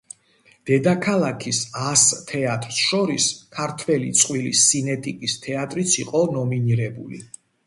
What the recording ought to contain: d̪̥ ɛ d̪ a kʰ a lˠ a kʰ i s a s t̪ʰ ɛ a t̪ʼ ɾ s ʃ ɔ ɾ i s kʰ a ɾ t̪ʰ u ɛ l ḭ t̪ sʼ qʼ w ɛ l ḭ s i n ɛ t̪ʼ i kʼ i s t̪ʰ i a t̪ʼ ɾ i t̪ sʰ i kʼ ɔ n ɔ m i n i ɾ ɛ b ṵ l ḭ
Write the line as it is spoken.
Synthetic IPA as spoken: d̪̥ ɛ d̪ a kʰ a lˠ a kʰ i s a s t̪ʰ ɛ a t̪ʼ ɾ s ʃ ɔ ɾ i s kʰ a ɾ t̪ʰ w ɛ l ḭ t̪ sʼ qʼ w i l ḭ s i n ɛ t̪ʼ i kʼ i s t̪ʰ ɛ a t̪ʼ ɾ i t̪ sʰ i qʼ ɔ n ɔ m i n i ɾ ɛ b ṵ l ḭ